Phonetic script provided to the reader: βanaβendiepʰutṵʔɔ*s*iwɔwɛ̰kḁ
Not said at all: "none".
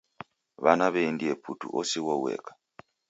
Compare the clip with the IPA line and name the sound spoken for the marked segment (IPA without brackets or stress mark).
s